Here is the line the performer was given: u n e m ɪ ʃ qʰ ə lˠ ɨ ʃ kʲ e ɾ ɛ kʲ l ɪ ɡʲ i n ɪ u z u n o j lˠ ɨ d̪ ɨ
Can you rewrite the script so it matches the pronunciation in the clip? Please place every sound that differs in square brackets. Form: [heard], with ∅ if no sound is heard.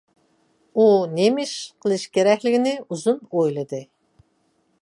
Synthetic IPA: u n e m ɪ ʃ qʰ ə lˠ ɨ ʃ kʲ e ɾ ɛ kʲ l ɪ ɡʲ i n ɪ u z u n o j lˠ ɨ d̪ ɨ